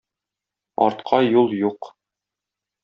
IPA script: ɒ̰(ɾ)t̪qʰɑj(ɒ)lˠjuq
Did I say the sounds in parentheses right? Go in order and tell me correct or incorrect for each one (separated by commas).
correct, incorrect